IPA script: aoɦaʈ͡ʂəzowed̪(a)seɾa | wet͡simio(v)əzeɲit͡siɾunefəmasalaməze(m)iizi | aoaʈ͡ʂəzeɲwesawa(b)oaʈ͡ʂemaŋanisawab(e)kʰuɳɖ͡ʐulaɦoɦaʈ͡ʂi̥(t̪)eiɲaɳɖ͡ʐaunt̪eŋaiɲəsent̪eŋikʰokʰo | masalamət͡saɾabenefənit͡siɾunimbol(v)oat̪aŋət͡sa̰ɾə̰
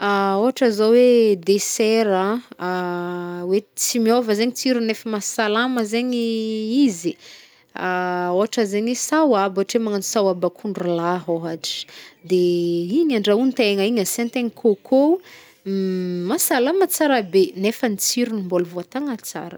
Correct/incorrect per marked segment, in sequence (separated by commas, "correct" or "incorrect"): incorrect, correct, incorrect, correct, incorrect, incorrect, correct